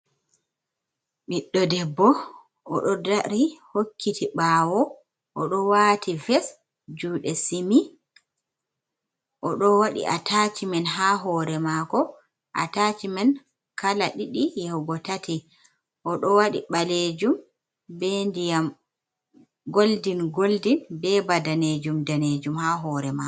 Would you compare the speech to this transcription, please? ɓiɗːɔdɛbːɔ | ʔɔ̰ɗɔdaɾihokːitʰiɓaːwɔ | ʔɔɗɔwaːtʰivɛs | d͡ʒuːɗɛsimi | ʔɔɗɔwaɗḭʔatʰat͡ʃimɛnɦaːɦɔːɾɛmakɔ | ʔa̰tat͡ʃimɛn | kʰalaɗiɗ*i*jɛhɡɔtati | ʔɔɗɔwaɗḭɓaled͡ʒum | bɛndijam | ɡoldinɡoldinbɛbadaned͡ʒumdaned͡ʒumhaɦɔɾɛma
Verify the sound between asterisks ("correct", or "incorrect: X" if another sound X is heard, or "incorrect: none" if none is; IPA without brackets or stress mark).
correct